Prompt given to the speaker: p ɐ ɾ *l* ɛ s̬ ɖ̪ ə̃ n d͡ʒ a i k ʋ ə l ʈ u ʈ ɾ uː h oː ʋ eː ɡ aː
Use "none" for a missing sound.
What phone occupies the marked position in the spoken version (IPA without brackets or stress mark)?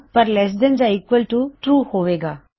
l